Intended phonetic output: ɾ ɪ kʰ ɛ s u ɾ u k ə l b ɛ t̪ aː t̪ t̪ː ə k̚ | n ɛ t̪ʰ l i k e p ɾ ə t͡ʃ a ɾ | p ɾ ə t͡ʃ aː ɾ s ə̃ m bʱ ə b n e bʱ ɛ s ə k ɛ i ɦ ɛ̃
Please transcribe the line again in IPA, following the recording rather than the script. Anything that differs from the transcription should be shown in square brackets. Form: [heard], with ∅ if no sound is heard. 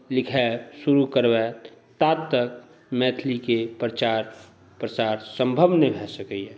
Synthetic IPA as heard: [l] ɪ kʰ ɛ s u ɾ u k ə [ɾ] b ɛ t̪ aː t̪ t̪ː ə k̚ | [m] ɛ t̪ʰ l i k e p ɾ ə t͡ʃ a ɾ | p ɾ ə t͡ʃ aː ɾ s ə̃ m bʱ ə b n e bʱ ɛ s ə k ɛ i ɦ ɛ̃